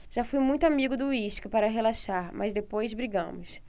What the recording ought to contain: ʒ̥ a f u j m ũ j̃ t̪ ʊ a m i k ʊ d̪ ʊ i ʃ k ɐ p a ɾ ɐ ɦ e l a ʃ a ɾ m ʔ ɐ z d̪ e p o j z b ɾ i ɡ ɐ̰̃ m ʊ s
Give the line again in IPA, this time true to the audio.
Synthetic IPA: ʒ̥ a f u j m ũ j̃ t̪ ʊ a m i ɡ ʊ d̪ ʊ i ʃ k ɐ p a ɾ ɐ ɦ e l a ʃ a ɾ m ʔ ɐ z d̪ e p o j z b ɾ i ɡ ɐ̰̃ m ʊ s